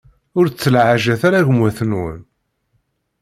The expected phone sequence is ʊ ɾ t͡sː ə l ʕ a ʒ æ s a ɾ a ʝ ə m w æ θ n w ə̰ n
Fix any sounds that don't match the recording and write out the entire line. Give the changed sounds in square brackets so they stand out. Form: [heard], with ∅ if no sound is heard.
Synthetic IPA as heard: ʊ ɾ t͡sː ə l ʕ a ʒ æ [θ] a ɾ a ʝ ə m w æ θ n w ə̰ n